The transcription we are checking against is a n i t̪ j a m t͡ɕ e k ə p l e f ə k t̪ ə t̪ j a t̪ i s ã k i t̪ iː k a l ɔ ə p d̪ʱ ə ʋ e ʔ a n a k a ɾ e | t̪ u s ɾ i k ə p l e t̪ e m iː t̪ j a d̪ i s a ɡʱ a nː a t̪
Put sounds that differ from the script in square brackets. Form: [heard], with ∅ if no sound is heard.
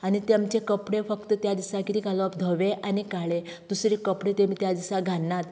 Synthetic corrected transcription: a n i t̪ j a m t͡ɕ e k ə p [ɽ] e f ə k t̪ ə t̪ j a [d̪] i s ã k i t̪ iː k a l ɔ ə p d̪ʱ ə ʋ e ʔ a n [i] k a [ɭ] e | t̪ u s ɾ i k ə p [ɽ] e t̪ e m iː t̪ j a d̪ i s a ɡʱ a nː a t̪